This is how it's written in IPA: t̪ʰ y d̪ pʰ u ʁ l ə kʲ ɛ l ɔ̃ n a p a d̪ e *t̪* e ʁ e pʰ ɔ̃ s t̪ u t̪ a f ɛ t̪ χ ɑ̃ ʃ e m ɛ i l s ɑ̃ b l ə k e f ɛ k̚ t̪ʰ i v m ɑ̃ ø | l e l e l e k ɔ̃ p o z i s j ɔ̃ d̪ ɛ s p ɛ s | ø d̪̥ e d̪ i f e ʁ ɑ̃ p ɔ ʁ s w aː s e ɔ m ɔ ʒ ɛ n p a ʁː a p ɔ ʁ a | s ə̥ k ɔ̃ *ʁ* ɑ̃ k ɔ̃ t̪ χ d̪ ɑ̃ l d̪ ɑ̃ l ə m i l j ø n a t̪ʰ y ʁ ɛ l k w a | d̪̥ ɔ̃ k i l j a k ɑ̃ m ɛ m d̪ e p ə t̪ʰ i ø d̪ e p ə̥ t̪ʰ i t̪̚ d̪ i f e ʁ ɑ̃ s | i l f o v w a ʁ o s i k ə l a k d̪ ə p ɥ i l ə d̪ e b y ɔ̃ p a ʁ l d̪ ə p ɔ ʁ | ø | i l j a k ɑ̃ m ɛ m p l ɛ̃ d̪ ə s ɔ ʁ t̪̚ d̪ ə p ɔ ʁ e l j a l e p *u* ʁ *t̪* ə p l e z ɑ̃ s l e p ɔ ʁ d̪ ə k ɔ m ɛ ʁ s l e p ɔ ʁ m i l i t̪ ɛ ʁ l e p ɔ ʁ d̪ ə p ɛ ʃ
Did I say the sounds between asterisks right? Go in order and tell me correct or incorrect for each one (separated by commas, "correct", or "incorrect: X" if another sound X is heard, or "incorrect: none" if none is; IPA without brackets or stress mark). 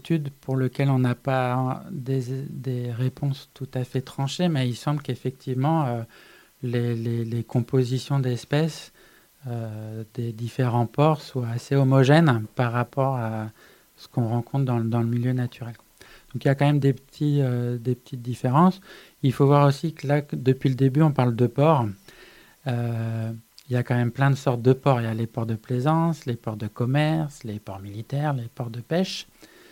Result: incorrect: d̪, correct, incorrect: ɔ, incorrect: d̪